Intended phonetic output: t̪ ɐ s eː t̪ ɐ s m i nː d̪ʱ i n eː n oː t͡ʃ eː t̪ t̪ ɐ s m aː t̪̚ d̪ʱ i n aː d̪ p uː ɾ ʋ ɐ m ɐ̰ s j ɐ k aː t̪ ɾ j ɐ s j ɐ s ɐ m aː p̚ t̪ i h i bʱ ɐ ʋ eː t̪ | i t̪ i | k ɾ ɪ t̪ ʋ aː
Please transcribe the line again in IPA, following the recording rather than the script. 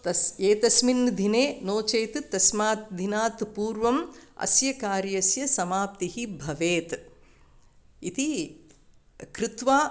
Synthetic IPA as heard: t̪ ɐ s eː t̪ ɐ s m i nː d̪ʱ i n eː n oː t͡ʃ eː t̪ t̪ ɐ s m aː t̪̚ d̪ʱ i n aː t̪ p uː ɾ ʋ ɐ m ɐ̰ s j ɐ k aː ɾ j ɐ s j ɐ s ɐ m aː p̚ t̪ i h i bʱ ɐ ʋ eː t̪ | i t̪ i | k ɾ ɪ t̪ ʋ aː